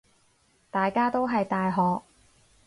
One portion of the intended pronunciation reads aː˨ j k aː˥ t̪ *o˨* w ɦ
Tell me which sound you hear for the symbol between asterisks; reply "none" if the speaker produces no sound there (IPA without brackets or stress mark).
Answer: o˥